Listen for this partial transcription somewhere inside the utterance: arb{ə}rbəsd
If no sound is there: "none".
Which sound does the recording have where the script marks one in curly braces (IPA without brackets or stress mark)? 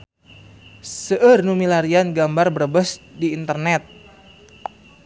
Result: ə